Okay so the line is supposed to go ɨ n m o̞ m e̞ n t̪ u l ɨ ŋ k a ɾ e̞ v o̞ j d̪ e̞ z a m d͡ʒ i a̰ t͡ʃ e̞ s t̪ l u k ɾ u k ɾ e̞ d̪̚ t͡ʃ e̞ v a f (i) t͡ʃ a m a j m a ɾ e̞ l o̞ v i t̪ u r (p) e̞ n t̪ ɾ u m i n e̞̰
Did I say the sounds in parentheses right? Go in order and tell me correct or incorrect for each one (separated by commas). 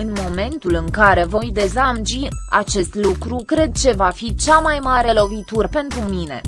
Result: correct, correct